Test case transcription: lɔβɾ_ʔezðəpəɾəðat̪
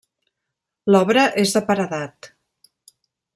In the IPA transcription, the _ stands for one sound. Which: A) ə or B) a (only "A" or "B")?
A